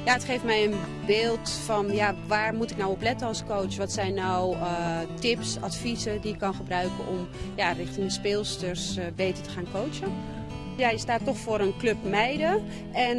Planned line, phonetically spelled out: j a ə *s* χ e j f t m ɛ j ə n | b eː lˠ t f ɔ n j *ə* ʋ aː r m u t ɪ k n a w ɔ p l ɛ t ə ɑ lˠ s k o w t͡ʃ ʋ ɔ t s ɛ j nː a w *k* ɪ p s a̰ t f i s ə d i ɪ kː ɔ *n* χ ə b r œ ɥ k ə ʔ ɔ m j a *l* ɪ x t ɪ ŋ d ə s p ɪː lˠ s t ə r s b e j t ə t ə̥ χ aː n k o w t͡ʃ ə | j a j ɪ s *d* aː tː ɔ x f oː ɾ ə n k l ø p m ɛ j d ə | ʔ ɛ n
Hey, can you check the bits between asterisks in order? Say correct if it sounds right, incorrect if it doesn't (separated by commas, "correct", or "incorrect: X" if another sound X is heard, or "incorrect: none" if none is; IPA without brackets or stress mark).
incorrect: t, incorrect: a, incorrect: t, correct, incorrect: r, incorrect: t